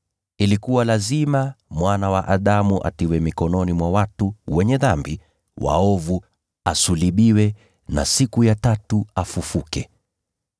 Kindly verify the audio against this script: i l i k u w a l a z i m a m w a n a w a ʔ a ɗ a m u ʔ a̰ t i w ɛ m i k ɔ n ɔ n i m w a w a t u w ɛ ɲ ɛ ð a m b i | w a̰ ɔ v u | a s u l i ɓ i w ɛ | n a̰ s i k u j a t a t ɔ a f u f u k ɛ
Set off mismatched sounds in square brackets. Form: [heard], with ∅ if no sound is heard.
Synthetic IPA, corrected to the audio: i l i k u w a l a z i m a m w a n a w a ʔ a ɗ a m u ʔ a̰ t i w ɛ m i k ɔ n ɔ n i m w a w a t u w ɛ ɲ ɛ ð a m b i | w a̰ ɔ v u | a s u l i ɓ i w ɛ | n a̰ s i k u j a t a t [u] a f u f u k ɛ